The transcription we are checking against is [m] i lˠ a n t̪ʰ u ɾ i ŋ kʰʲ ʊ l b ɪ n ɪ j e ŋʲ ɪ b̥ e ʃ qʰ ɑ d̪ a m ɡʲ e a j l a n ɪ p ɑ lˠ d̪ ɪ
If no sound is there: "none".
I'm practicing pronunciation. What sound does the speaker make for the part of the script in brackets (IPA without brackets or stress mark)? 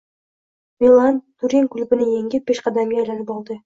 m